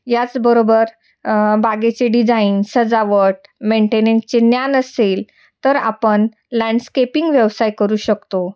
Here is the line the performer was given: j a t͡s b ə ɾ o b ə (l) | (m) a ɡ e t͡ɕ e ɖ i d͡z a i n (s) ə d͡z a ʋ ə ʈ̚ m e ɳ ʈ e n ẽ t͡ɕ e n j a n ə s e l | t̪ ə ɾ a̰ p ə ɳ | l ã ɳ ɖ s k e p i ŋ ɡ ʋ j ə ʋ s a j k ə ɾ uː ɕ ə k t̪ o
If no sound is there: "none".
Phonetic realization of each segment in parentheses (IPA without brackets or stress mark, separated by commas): ɾ, b, s